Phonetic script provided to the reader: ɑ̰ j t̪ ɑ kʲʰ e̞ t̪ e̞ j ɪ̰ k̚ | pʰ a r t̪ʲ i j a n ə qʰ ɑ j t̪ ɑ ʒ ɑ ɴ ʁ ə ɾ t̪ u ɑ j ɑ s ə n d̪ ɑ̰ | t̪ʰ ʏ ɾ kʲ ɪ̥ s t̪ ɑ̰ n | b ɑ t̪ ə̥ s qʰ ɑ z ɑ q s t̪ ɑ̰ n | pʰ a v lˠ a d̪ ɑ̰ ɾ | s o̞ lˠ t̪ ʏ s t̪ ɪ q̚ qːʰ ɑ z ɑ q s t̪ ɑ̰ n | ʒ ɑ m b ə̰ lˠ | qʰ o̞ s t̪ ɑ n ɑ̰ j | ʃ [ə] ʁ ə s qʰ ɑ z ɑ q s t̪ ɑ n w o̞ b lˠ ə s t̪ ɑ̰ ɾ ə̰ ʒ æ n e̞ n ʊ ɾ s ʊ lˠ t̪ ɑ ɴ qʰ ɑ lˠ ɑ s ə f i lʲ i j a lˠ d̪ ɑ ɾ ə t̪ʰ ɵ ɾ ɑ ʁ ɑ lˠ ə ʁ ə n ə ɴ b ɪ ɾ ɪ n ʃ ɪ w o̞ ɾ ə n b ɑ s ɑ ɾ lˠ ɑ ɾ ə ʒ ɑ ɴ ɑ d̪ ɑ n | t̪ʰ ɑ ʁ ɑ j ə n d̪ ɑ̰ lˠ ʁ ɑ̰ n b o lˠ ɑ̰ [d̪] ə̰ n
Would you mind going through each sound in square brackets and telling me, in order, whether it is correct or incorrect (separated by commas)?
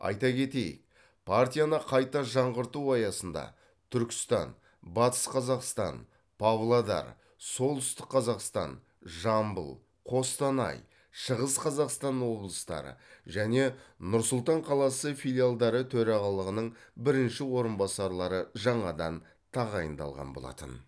correct, incorrect